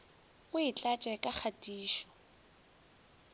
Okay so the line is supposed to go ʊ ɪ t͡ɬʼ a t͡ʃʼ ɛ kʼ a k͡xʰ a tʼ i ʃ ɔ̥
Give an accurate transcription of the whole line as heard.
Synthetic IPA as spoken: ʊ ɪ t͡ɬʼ a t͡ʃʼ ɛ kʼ a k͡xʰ a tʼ iː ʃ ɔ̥